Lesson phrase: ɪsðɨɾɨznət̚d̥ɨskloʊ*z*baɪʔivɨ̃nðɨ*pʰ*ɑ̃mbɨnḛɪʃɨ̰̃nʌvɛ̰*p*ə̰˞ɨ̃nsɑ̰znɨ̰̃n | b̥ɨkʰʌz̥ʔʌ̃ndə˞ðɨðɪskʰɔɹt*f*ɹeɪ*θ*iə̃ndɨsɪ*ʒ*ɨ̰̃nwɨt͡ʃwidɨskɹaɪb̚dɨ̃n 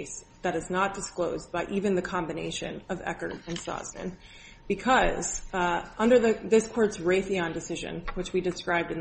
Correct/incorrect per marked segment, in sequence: correct, incorrect, incorrect, incorrect, correct, correct

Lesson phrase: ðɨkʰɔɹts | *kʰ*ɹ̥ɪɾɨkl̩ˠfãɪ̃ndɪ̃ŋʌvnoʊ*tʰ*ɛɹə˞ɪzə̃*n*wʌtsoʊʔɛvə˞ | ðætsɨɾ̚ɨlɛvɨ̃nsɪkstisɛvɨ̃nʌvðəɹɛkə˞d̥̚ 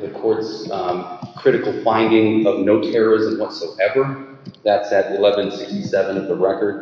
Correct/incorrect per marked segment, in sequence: correct, correct, incorrect

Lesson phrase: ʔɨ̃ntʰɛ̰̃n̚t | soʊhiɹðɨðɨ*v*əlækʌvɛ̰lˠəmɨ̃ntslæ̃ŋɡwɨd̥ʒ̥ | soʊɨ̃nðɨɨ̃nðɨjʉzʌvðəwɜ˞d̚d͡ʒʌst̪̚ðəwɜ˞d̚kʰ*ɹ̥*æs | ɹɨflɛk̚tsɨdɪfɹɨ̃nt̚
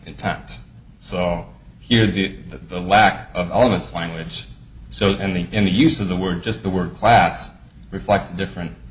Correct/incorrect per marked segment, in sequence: incorrect, incorrect

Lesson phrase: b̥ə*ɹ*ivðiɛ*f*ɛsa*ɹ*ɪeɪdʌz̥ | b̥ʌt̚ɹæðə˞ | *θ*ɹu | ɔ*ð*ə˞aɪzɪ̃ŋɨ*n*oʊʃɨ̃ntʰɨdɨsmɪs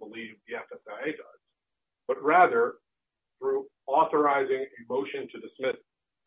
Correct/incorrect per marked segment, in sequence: incorrect, correct, incorrect, correct, incorrect, incorrect

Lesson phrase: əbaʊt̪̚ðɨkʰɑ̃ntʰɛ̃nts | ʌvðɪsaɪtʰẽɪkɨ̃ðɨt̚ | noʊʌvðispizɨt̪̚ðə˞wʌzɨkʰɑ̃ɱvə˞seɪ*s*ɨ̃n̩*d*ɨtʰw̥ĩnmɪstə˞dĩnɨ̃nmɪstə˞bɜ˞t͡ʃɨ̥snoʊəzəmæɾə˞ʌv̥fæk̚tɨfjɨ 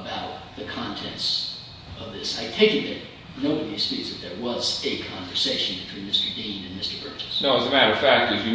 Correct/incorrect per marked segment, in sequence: incorrect, incorrect

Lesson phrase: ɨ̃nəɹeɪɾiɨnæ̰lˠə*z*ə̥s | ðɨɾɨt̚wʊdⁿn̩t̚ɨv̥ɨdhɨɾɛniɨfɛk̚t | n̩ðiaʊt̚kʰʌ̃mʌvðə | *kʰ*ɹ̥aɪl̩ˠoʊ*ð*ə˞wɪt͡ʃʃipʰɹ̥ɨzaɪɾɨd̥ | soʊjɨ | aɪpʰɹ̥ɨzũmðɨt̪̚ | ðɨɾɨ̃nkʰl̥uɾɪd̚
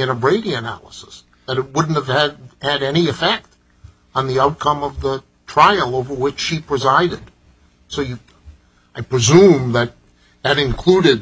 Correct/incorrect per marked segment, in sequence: incorrect, incorrect, incorrect

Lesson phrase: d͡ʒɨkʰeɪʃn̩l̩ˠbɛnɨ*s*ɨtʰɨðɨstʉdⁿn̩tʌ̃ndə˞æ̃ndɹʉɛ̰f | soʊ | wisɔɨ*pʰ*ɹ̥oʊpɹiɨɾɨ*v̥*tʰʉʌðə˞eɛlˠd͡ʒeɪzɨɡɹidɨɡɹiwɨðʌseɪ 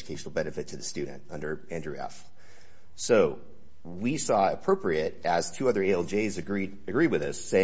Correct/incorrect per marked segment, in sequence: incorrect, correct, incorrect

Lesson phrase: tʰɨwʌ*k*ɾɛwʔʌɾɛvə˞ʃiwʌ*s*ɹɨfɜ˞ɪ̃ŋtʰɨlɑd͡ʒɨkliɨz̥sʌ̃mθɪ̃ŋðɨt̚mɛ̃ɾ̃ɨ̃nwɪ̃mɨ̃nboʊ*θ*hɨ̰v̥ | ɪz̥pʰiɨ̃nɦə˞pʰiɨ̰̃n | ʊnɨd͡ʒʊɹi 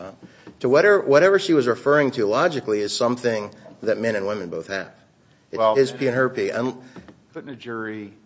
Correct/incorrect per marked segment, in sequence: incorrect, incorrect, correct

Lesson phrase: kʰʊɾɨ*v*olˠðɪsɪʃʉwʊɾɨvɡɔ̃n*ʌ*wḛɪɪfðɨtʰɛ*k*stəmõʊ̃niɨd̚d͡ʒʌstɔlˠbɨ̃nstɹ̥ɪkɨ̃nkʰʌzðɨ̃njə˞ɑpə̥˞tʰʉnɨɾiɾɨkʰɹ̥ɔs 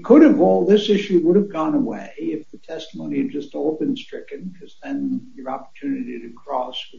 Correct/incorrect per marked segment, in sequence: correct, incorrect, incorrect

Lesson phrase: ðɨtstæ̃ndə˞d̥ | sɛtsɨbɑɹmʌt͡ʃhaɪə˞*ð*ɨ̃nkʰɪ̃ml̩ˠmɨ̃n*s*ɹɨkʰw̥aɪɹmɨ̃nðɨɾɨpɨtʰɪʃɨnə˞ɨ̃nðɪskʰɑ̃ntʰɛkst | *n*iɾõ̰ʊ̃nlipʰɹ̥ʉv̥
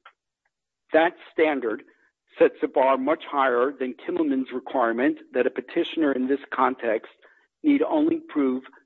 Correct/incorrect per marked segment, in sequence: correct, incorrect, correct

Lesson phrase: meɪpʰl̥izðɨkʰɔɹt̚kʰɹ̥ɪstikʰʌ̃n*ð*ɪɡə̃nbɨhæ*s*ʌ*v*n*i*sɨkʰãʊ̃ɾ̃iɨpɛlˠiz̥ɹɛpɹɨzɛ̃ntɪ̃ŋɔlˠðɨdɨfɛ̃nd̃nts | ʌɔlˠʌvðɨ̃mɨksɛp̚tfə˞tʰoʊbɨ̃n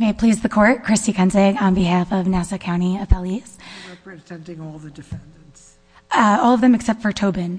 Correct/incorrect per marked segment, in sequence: incorrect, incorrect, correct, incorrect

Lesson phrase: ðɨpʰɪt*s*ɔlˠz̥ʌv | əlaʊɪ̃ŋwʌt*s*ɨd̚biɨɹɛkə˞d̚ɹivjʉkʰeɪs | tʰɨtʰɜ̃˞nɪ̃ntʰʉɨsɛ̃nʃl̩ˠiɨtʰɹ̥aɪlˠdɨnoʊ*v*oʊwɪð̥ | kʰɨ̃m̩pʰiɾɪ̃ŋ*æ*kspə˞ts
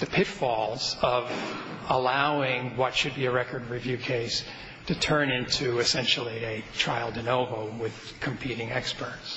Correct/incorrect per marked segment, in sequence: incorrect, incorrect, correct, incorrect

